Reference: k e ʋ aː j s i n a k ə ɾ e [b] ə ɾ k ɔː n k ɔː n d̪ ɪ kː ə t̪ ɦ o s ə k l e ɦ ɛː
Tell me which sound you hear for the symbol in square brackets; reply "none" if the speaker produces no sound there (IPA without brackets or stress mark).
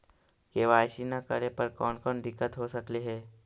p